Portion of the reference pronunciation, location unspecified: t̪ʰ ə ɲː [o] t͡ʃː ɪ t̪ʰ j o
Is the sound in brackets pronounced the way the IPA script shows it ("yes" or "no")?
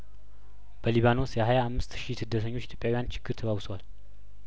yes